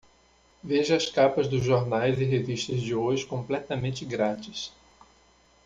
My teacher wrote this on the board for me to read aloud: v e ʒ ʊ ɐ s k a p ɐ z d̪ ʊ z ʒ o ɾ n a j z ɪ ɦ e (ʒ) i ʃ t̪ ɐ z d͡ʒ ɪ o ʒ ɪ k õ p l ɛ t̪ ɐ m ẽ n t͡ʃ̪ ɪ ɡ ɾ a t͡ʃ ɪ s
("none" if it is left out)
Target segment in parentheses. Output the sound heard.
v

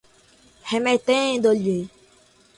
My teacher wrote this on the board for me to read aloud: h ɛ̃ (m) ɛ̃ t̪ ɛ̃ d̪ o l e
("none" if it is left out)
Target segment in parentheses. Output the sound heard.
m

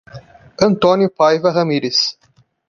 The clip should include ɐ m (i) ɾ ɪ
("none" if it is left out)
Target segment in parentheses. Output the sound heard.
i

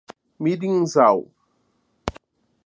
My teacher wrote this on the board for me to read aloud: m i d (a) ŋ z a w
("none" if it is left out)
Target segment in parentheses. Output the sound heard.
i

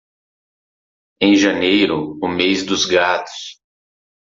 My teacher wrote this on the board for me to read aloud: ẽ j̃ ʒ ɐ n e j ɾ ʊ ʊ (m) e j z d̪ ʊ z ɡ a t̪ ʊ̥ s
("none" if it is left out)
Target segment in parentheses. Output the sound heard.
m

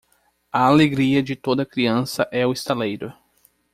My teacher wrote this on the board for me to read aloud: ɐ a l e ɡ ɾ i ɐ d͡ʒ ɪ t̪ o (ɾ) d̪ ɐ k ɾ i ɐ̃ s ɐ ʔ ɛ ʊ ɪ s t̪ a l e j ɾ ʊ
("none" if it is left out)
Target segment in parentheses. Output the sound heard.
none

